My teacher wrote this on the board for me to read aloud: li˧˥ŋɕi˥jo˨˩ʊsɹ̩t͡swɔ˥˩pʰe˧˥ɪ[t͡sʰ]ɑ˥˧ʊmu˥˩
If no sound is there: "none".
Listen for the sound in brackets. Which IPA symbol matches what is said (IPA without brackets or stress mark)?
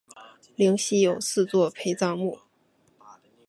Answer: t͡s